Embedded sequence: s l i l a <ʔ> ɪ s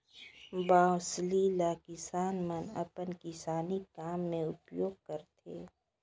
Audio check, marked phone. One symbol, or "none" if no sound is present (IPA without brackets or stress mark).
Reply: k